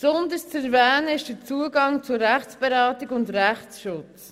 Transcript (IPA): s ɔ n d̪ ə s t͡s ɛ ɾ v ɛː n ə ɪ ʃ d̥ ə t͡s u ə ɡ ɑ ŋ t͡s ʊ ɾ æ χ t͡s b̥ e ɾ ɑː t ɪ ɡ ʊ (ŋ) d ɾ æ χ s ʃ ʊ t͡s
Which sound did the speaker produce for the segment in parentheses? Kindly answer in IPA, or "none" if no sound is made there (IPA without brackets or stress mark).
n